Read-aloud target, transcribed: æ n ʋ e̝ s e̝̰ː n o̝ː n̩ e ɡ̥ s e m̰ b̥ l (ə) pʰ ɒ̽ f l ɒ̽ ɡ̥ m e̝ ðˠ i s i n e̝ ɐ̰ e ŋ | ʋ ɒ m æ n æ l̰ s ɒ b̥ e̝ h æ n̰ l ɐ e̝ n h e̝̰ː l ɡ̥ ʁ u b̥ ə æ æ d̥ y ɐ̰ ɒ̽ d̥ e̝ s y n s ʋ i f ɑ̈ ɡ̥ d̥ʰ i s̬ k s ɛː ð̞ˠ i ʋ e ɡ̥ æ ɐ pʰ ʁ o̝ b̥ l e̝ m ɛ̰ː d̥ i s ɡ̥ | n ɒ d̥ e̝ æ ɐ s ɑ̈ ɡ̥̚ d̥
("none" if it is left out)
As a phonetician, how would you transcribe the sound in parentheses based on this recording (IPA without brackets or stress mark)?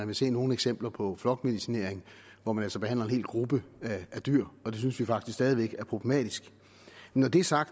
ɐ